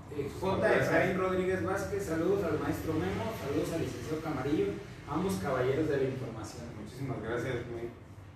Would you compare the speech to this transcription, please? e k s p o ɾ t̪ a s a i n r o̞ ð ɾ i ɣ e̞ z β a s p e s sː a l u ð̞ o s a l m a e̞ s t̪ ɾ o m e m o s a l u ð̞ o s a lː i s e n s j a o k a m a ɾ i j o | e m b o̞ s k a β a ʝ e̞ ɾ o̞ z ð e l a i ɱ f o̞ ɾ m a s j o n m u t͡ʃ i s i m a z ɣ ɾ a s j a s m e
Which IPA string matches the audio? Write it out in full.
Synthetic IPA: e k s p o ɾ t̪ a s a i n r o̞ ð ɾ i ɣ e̞ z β a s k e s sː a l u ð̞ o s a l m a e̞ s t̪ ɾ o m e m o s a l u ð̞ o s a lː i s e n s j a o k a m a ɾ i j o | a m b o̞ s k a β a ʝ e̞ ɾ o̞ z ð e l a i ɱ f o̞ ɾ m a s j o n m u t͡ʃ i s i m a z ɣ ɾ a s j a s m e